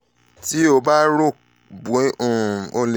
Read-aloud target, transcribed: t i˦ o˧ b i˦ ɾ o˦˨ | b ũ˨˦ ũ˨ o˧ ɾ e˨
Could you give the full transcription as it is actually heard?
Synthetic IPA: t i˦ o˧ b a˦ ɾ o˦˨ | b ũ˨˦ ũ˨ o˧ l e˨